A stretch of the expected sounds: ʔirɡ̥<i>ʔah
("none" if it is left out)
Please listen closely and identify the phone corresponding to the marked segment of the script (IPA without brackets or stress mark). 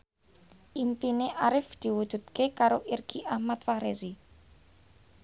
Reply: i